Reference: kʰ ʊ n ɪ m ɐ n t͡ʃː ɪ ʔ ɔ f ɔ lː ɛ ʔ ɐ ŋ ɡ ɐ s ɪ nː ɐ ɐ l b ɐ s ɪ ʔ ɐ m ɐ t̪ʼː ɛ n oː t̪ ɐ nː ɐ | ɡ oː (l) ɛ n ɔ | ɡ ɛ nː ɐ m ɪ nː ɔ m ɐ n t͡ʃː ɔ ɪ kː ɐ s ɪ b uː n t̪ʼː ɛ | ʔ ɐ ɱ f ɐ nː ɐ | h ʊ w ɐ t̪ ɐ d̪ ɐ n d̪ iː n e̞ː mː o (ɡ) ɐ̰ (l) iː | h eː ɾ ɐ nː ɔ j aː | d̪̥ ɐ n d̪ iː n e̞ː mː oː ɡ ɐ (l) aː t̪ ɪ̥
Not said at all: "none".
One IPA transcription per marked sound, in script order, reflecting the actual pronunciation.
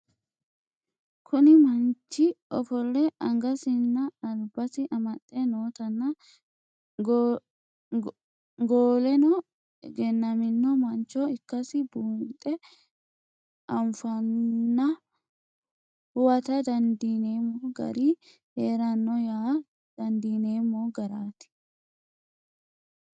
l, ɡ, ɾ, ɾ

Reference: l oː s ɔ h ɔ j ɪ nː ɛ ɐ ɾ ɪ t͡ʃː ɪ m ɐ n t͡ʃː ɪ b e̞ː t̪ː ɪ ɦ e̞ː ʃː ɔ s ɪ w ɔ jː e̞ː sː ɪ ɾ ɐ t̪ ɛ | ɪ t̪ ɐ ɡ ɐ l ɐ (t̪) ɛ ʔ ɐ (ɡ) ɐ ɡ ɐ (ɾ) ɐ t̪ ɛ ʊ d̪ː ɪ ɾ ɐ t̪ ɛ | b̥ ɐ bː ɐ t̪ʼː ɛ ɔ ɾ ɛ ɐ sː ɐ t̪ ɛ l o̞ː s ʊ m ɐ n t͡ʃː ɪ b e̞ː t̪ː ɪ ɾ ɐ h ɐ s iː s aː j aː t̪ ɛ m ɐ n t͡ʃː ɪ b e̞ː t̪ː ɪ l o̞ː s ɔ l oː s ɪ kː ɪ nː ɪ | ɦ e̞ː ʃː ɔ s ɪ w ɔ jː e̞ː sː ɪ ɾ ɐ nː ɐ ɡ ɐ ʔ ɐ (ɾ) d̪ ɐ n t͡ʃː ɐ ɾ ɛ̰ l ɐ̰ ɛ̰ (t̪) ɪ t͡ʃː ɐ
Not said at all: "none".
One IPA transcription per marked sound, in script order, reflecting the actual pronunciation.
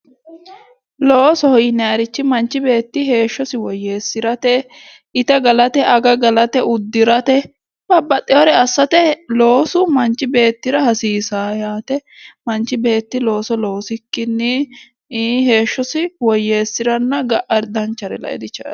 t̪, ɡ, l, ɾ, d̪

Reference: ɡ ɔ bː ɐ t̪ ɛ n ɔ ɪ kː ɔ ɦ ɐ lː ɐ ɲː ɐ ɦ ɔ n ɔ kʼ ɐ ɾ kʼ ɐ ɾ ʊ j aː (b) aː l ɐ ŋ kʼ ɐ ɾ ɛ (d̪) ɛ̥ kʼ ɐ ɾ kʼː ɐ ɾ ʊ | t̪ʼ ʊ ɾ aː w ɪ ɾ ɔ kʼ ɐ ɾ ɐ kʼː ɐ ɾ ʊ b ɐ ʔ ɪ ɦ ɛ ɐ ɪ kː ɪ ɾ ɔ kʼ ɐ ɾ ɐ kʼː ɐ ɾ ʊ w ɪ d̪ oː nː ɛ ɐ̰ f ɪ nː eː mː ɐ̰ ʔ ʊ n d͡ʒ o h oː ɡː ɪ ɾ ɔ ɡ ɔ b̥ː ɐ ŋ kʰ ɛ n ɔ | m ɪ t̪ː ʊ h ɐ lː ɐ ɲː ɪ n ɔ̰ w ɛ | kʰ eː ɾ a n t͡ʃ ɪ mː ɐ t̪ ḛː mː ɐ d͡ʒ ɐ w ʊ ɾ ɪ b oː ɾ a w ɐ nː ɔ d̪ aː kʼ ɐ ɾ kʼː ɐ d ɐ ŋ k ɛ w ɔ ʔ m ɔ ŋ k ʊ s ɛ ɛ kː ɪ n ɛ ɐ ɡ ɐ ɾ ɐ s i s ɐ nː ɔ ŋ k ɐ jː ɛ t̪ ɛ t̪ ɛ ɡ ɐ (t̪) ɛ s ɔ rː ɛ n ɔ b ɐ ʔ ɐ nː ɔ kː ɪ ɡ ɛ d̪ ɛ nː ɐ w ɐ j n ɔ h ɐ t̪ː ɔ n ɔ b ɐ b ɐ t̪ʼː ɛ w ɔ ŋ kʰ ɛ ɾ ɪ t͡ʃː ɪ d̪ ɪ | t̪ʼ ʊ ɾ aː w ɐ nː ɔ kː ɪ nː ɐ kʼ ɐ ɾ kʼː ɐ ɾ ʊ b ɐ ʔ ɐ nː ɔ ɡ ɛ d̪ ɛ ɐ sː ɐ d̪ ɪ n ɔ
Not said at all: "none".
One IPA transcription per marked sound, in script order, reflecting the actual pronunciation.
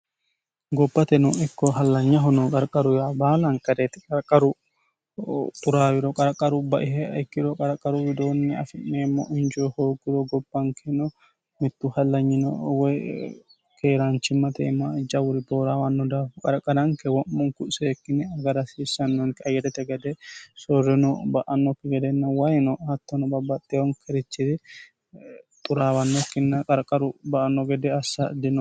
b, t̪, d̪

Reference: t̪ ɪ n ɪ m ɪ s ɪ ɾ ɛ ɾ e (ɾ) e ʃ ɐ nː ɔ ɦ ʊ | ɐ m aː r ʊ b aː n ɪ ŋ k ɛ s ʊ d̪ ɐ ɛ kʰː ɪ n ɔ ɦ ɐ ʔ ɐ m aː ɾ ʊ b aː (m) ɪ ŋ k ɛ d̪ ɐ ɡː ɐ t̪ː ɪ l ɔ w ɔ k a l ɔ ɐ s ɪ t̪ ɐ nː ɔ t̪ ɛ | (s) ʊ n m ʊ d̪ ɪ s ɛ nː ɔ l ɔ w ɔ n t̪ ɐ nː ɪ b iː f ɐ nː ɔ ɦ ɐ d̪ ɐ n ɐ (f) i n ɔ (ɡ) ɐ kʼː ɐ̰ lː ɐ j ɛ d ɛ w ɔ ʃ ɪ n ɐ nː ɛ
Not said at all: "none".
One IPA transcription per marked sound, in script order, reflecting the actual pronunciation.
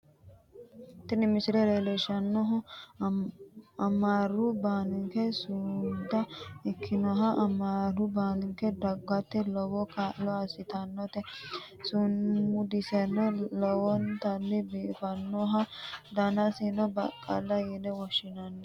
l, n, s, s, b

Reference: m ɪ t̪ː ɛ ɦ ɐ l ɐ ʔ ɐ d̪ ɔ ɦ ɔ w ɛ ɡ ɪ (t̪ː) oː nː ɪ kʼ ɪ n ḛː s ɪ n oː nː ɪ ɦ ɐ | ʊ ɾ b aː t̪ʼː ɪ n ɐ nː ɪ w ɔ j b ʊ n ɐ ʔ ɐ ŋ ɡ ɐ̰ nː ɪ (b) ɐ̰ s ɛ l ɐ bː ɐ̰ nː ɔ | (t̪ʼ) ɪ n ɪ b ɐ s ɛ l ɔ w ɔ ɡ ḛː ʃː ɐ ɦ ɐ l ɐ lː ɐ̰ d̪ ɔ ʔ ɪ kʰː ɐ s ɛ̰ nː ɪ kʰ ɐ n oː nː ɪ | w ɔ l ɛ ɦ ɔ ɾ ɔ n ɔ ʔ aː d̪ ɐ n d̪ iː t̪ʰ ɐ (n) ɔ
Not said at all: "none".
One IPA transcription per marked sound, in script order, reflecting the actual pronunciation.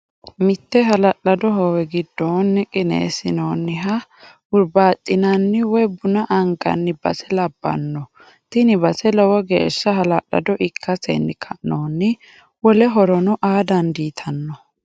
d̪ː, b, t̪, nː

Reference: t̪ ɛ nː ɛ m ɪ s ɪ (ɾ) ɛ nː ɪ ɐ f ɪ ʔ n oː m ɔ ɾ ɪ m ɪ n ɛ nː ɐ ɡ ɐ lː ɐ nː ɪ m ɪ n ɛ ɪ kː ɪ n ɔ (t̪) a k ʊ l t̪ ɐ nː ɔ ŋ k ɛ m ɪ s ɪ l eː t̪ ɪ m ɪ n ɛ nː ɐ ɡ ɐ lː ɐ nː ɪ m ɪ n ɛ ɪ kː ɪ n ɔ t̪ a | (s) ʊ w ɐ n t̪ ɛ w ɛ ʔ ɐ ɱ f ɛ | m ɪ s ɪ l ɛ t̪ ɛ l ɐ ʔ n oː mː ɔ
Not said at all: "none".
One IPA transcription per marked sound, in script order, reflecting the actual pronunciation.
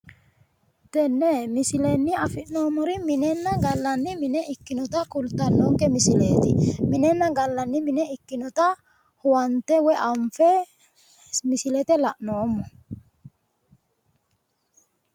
l, t̪, h

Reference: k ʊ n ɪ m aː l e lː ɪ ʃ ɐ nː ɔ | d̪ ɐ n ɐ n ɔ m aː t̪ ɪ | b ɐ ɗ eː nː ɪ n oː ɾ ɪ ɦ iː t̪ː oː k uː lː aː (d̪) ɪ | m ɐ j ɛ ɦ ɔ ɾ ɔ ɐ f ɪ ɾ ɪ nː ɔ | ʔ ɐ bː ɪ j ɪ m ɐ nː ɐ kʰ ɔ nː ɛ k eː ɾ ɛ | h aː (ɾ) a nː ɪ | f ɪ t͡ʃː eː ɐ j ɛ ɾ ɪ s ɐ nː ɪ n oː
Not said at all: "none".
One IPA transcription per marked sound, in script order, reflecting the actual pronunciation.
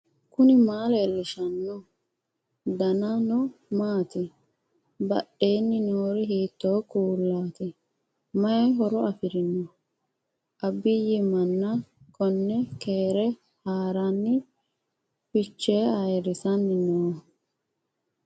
t̪, ɾ

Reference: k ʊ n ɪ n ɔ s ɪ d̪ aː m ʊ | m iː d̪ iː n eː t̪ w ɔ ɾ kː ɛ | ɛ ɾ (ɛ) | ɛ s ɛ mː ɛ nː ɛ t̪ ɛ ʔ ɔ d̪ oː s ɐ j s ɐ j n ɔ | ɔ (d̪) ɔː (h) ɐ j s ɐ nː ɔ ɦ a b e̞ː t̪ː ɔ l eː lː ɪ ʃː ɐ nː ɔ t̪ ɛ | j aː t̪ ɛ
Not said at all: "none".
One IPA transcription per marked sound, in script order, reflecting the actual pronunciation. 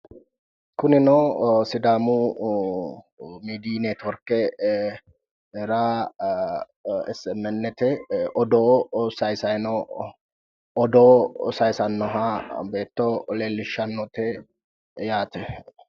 a, d̪, s

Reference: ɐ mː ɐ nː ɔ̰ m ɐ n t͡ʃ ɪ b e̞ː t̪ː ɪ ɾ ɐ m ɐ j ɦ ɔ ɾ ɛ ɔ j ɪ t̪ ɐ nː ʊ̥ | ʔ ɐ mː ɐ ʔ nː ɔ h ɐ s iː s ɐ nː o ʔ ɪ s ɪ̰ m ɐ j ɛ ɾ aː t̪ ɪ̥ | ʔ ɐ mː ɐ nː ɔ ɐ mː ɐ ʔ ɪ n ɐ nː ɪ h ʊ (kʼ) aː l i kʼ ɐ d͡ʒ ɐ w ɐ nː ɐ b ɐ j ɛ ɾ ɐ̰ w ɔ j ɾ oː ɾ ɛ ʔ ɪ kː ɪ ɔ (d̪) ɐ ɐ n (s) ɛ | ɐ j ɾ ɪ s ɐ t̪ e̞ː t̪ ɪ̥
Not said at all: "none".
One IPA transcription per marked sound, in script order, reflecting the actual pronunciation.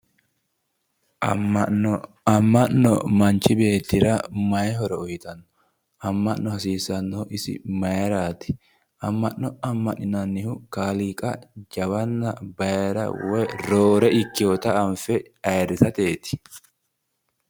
k, t̪, f

